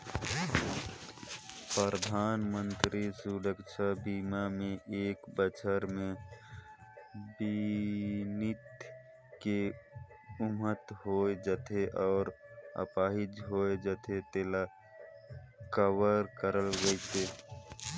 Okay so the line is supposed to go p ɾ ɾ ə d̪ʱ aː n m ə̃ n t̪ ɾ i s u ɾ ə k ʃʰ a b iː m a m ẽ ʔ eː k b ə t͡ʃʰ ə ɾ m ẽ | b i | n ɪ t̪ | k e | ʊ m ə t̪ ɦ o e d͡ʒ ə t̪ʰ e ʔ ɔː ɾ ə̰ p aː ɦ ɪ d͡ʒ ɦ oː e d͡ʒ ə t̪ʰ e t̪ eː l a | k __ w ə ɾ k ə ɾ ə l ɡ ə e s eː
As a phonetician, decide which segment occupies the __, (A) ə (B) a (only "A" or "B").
A